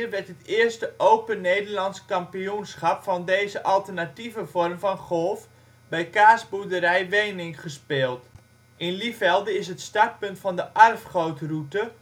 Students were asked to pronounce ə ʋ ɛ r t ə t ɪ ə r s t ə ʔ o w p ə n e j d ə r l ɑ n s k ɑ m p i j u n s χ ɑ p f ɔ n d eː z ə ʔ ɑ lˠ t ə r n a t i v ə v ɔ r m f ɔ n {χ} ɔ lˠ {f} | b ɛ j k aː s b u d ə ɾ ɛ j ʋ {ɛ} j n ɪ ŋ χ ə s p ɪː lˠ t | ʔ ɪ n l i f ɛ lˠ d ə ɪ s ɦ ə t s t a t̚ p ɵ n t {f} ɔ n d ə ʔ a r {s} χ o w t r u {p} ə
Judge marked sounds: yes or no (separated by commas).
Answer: yes, yes, no, yes, no, no